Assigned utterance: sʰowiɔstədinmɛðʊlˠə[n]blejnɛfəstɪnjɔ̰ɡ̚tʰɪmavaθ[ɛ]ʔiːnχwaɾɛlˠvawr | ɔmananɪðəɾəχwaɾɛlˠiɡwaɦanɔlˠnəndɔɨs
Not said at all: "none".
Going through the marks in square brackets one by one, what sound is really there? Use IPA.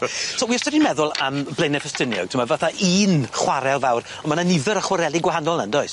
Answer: m, a

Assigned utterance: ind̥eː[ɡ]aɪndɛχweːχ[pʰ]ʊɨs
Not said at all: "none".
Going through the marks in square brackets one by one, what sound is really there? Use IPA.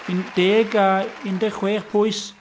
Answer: ɡ, pʰ

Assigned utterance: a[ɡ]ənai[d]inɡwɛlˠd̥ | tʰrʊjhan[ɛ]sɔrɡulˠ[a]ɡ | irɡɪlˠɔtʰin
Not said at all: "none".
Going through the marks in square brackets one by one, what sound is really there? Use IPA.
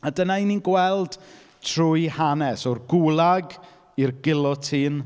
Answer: d, n, ɛ, a

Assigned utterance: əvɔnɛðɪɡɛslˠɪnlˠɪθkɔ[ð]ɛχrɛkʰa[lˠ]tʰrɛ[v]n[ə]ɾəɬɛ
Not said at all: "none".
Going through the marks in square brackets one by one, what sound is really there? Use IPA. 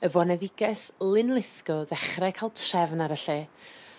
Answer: ð, lˠ, v, a

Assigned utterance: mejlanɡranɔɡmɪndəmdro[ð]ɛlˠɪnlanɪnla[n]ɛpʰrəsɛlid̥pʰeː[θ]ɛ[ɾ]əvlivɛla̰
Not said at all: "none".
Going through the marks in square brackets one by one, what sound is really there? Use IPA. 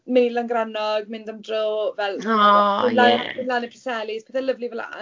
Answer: v, n, θ, l

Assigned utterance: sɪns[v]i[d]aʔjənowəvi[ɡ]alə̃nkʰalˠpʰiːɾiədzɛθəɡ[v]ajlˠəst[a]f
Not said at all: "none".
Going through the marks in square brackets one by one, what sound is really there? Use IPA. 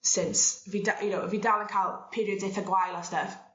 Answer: v, d, d, w, ə

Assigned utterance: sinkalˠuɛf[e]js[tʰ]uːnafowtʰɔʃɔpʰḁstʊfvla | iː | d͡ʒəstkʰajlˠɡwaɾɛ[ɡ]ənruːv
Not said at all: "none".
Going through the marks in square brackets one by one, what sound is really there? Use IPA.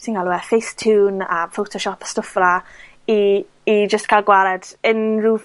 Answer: e, tʰ, d

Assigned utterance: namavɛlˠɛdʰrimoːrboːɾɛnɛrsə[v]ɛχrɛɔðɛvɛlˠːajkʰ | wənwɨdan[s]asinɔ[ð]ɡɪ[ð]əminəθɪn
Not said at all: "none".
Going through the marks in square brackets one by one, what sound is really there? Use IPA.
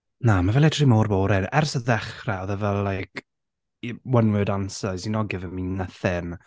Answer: ð, s, none, v

